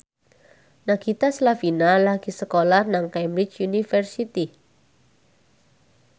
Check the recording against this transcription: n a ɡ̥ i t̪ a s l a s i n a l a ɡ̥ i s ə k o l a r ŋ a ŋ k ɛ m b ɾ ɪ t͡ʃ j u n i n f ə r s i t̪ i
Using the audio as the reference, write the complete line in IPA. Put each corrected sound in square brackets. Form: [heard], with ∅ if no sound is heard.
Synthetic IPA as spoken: n a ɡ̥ i t̪ a s l a [f] i n a l a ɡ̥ i s ə k o l a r [n] a ŋ k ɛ m b ɾ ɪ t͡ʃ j u n i [∅] f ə r s i t̪ i